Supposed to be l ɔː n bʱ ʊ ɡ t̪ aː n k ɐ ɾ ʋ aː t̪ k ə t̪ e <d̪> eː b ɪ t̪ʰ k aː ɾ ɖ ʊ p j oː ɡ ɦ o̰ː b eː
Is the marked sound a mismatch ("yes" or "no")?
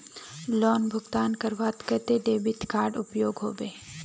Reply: no